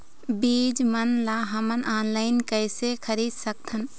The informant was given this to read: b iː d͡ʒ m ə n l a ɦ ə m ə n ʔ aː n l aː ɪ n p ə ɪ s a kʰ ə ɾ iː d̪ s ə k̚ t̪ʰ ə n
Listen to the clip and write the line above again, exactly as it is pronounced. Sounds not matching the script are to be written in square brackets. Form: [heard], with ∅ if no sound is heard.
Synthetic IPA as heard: b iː d͡ʒ m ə n l a ɦ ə m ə n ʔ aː n l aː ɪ n [k] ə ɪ s [e] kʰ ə ɾ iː d̪ s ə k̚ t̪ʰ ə n

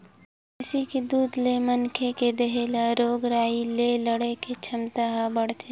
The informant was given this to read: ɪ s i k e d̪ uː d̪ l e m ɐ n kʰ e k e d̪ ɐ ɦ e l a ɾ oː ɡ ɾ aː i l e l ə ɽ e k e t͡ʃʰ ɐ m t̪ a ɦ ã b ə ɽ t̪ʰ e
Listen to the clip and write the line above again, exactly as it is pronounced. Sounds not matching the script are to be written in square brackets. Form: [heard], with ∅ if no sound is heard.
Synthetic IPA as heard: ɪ s i k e d̪ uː d̪ l e m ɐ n kʰ e k e d̪ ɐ ɦ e l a ɾ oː ɡ ɾ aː i l e l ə ɽ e k e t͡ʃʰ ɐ m t̪ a ɦ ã b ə ɽ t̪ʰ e

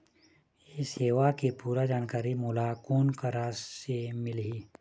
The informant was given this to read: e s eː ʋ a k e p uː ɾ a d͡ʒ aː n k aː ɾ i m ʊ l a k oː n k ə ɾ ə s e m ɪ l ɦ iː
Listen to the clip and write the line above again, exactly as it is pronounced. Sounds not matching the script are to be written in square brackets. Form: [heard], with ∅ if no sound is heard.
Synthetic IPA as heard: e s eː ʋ a k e p uː ɾ a d͡ʒ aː n k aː ɾ i m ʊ l a k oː n k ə ɾ [a] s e m ɪ l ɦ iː

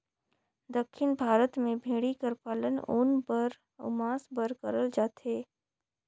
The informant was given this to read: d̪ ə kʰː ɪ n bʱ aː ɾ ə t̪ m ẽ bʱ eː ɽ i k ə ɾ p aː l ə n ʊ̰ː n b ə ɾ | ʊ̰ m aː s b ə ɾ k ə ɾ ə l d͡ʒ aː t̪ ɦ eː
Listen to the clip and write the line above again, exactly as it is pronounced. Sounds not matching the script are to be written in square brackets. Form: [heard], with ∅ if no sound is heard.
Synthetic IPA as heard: d̪ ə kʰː ɪ n bʱ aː ɾ ə t̪ m ẽ bʱ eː ɽ i k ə ɾ p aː l ə n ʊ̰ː n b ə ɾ | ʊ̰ m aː s b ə ɾ k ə ɾ ə l d͡ʒ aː t̪ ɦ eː

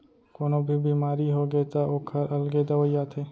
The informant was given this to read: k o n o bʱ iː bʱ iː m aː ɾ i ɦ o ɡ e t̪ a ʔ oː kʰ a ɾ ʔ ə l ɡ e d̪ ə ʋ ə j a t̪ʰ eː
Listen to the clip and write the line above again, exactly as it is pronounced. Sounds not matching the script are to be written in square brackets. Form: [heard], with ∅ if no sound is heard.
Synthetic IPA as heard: k o n o bʱ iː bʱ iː m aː ɾ i ɦ o ɡ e t̪ a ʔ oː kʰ [ə] ɾ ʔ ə l ɡ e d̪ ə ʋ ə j a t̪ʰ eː

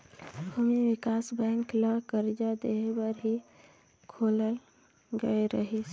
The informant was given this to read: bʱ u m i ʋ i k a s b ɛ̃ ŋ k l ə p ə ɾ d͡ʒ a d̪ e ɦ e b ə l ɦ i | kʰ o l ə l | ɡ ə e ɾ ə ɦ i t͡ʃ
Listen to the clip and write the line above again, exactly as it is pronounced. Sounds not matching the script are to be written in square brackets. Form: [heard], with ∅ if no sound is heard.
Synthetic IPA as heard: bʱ u m i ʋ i k a s b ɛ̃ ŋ k l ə [k] ə ɾ d͡ʒ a d̪ e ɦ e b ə [ɾ] ɦ i | kʰ o l ə l | ɡ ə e ɾ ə ɦ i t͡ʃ

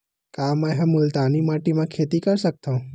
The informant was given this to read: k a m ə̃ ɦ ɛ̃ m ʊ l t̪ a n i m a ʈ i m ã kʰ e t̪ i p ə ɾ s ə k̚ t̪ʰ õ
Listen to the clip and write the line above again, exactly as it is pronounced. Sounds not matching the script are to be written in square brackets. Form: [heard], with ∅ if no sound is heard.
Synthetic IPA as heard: k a m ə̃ ɦ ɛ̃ m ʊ l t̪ a n i m a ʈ i m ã kʰ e t̪ i [k] ə ɾ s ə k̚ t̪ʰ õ

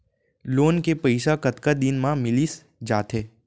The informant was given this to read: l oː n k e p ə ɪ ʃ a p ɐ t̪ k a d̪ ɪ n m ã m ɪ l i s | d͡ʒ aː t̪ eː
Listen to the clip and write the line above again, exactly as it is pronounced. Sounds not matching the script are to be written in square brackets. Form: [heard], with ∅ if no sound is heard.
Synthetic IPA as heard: l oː n k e p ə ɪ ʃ a [k] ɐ t̪ k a d̪ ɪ n m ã m ɪ l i s | d͡ʒ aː t̪ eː

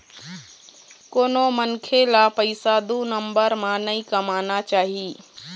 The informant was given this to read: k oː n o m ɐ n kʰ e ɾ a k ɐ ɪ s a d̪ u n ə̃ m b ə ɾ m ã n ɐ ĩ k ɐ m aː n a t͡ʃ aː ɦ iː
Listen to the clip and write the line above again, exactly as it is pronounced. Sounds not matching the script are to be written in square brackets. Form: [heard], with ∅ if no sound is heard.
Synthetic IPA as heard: k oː n o m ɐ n kʰ e [l] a [p] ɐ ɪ s a d̪ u n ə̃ m b ə ɾ m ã n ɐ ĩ k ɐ m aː n a t͡ʃ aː ɦ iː

